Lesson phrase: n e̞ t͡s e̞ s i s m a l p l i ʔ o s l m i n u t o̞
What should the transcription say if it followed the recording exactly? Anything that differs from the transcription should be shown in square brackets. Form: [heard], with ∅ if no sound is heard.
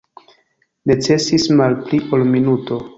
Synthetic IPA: n e̞ t͡s e̞ s i s m a l p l i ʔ o [∅] l m i n u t o̞